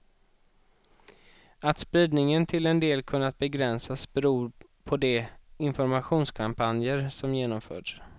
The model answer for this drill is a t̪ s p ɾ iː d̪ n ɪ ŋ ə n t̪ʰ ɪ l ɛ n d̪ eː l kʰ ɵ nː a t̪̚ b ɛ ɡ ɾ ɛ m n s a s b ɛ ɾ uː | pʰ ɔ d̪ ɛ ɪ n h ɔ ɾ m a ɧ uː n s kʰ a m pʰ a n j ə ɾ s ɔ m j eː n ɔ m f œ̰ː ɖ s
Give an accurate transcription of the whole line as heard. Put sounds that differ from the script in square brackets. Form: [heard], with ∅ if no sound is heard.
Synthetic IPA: a t̪ s p ɾ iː d̪ n ɪ ŋ ə n t̪ʰ ɪ l ɛ n d̪ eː l kʰ ɵ nː a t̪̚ b ɛ ɡ ɾ ɛ [∅] n s a s b ɛ ɾ uː | pʰ ɔ d̪ ɛ ɪ n [f] ɔ ɾ m a ɧ uː n s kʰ a m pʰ a n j ə ɾ s ɔ m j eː n ɔ m f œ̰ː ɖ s